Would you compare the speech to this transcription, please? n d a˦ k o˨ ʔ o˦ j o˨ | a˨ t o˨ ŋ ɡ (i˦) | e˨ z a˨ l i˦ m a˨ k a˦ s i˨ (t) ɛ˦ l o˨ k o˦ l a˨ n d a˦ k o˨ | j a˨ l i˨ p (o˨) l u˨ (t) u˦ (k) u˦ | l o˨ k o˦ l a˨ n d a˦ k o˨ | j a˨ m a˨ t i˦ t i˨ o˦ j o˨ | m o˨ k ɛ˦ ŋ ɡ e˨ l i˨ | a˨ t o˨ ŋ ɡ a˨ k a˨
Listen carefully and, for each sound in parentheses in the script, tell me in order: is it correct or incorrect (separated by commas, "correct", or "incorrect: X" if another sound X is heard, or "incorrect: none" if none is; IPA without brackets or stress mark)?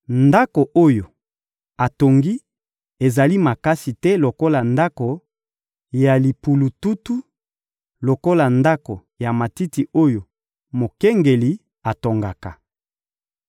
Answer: correct, correct, incorrect: u˨, correct, incorrect: t